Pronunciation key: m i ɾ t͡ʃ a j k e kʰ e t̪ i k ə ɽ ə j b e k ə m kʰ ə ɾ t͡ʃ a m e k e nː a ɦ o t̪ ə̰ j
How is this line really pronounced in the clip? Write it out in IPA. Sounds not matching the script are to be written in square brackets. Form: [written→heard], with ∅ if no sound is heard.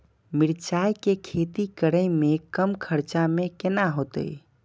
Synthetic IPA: m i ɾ t͡ʃ a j k e kʰ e t̪ i k ə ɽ ə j [b→m] e k ə m kʰ ə ɾ t͡ʃ a m e k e [nː→n] a ɦ o t̪ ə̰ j